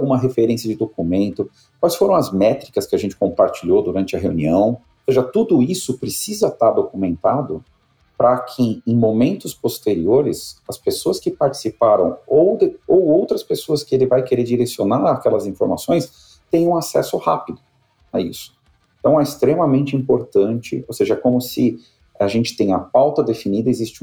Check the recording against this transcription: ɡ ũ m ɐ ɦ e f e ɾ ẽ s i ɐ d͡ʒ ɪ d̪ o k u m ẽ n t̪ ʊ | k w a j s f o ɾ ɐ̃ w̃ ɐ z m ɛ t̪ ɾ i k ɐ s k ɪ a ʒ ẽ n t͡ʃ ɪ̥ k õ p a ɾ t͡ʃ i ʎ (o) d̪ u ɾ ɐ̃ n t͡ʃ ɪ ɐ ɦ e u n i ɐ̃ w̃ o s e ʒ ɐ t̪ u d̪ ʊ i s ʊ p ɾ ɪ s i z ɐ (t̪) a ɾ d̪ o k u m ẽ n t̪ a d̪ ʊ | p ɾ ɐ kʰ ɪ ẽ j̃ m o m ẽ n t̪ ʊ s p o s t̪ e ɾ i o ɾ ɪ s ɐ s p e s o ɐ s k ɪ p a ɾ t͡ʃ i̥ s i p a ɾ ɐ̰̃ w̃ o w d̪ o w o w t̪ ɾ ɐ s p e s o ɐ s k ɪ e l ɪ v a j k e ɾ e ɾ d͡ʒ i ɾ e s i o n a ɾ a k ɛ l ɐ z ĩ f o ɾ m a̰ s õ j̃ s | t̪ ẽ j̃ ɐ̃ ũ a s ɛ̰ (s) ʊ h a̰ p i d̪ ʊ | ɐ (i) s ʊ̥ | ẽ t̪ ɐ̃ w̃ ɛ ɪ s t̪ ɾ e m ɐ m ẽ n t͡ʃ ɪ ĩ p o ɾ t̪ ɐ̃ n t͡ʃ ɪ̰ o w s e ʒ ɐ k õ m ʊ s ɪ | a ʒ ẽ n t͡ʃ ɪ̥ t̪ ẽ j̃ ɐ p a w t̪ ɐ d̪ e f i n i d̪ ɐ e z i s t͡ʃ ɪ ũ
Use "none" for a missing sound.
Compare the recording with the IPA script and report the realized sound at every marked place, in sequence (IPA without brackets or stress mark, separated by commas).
o, t̪, s, i